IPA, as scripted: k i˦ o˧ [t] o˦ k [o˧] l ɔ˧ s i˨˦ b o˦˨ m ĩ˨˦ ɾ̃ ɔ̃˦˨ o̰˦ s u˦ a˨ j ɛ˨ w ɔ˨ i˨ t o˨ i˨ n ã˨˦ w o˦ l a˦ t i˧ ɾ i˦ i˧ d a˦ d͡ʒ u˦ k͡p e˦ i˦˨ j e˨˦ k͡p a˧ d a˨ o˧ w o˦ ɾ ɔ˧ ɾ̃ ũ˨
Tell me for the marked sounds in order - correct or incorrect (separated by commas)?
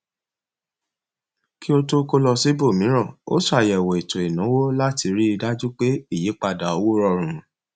correct, correct